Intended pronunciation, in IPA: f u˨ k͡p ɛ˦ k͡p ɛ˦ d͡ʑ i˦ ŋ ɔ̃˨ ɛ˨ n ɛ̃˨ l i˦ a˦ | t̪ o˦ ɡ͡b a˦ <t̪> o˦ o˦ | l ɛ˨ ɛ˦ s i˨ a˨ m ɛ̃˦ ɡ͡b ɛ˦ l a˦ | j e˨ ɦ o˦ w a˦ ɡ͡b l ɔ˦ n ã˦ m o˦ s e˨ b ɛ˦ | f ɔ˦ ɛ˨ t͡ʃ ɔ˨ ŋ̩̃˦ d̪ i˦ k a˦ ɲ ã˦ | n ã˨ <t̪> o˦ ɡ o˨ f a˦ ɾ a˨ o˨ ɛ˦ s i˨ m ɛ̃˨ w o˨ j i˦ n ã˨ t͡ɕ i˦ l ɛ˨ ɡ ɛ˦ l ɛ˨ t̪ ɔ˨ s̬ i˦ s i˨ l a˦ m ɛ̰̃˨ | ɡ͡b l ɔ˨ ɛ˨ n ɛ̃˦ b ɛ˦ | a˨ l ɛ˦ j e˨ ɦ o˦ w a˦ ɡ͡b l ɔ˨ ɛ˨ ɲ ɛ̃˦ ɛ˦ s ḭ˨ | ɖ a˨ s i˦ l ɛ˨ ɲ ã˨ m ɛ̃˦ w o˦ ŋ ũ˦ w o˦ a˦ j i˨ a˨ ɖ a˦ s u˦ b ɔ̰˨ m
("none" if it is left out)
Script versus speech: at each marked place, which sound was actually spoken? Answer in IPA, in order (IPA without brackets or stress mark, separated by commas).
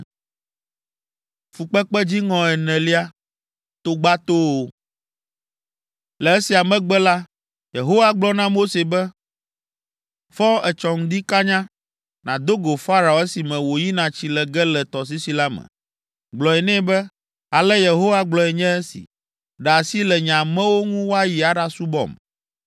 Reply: t̪, d̪